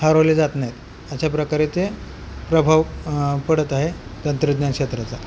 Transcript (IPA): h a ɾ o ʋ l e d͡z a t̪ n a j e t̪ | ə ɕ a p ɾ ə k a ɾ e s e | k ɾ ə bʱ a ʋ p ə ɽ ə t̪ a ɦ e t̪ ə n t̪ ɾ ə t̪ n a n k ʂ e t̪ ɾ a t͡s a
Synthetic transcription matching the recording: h a ɾ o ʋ l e d͡z a t̪ n a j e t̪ | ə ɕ a p ɾ ə k a ɾ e t͡s e | p ɾ ə bʱ a ʋ p ə ɽ ə t̪ a ɦ e t̪ ə n t̪ ɾ ə d̪ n a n k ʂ e t̪ ɾ a t͡s a

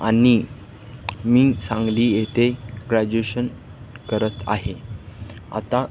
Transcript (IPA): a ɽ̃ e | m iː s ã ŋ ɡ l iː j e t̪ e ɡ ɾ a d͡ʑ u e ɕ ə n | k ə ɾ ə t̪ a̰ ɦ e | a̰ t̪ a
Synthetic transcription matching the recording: a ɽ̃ i | m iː s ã ŋ ɡ l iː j e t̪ e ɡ ɾ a d͡ʑ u e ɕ ə n | k ə ɾ ə t̪ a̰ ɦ e | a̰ t̪ a

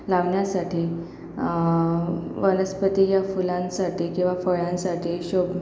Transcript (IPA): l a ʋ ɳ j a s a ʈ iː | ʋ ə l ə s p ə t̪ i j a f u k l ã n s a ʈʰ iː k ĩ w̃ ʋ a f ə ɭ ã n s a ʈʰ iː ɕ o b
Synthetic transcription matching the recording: l a ʋ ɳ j a s a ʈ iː | ʋ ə l ə s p ə t̪ i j a f u l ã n s a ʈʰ iː k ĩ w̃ ʋ a f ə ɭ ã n s a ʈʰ iː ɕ o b

